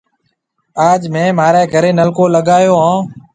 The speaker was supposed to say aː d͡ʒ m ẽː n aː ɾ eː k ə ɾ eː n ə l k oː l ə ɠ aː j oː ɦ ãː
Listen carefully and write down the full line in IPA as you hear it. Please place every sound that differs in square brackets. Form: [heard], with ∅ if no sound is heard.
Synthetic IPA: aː d͡ʒ m ẽː [m] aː ɾ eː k ə ɾ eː n ə l k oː l ə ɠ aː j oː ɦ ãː